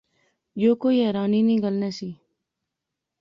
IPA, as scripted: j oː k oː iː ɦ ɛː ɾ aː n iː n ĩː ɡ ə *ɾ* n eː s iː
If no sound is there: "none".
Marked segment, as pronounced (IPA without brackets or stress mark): l